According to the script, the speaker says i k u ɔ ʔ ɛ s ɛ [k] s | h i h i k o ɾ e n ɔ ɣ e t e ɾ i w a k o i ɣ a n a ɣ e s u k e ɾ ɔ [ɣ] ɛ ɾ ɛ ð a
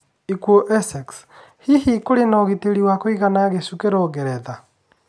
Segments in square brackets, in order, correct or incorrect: correct, correct

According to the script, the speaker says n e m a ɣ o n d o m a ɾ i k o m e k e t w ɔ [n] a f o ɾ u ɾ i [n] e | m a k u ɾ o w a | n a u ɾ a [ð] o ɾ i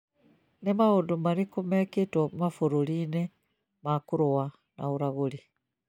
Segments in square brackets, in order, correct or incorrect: incorrect, correct, incorrect

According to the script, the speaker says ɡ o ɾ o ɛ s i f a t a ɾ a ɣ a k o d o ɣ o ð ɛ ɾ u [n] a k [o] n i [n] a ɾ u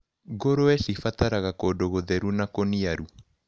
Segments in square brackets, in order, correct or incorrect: correct, correct, incorrect

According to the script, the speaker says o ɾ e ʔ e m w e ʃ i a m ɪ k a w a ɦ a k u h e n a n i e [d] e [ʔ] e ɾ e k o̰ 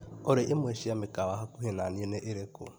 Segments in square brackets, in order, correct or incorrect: incorrect, correct

